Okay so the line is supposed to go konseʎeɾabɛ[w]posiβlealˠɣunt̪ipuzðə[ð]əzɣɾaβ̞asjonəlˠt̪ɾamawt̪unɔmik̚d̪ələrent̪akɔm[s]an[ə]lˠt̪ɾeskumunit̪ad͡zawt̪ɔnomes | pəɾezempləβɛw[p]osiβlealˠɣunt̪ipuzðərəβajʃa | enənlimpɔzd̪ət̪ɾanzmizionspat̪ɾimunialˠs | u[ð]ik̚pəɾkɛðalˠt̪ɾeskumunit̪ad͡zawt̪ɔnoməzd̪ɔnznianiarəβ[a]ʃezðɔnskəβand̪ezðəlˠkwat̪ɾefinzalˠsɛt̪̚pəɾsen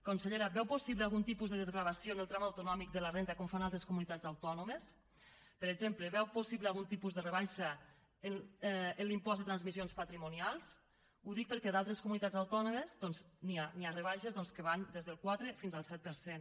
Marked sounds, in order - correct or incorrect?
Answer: correct, correct, incorrect: f, incorrect: a, correct, correct, correct

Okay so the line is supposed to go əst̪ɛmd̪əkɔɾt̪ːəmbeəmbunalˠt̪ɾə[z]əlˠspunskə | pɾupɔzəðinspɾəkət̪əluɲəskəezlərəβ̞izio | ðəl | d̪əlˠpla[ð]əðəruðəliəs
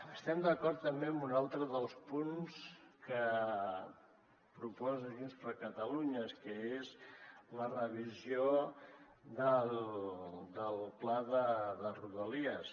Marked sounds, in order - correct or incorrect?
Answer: incorrect: ð, correct

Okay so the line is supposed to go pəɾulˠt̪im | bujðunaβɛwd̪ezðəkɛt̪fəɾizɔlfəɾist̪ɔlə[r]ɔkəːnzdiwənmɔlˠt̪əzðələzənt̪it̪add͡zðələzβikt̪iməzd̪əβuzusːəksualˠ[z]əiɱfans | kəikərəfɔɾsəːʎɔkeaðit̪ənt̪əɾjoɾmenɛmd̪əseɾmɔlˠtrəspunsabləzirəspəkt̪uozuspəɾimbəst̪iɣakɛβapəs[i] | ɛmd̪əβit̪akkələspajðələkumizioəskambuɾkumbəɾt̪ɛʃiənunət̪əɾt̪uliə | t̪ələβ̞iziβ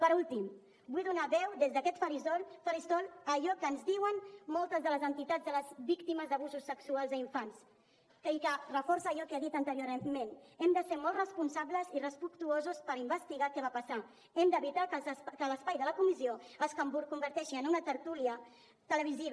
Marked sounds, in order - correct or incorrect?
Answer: incorrect: ʎ, correct, incorrect: a

